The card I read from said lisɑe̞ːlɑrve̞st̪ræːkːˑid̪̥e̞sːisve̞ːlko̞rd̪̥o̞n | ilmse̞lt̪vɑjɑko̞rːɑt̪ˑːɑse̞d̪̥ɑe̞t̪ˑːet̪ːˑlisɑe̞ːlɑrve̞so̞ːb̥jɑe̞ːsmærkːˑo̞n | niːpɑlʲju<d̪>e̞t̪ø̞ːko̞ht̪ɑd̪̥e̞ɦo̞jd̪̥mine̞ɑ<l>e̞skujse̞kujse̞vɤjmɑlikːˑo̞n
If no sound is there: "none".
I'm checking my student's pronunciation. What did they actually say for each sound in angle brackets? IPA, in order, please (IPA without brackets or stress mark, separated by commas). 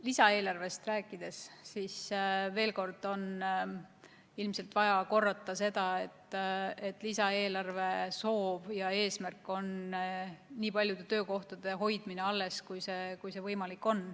d̪, lː